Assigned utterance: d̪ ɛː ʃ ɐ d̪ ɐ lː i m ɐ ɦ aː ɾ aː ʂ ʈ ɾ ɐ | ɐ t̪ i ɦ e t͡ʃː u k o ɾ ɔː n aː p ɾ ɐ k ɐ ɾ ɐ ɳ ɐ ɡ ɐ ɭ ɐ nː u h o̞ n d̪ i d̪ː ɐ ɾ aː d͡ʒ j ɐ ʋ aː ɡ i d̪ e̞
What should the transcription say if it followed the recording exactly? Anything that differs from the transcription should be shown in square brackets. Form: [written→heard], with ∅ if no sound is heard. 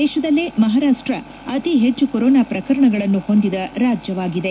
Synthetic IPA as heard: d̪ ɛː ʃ ɐ d̪ ɐ lː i m ɐ ɦ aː ɾ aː ʂ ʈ ɾ ɐ | ɐ t̪ i ɦ e t͡ʃː u k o ɾ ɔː n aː p ɾ ɐ k ɐ ɾ ɐ ɳ ɐ ɡ ɐ ɭ ɐ nː u h o̞ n d̪ i [d̪ː→d̪] ɐ ɾ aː d͡ʒ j ɐ ʋ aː ɡ i d̪ e̞